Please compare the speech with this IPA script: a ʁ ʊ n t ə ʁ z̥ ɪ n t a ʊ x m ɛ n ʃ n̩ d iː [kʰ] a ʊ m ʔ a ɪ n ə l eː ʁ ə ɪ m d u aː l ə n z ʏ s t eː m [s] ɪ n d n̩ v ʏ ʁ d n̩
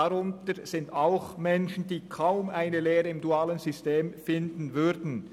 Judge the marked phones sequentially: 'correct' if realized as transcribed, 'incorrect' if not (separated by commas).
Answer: correct, incorrect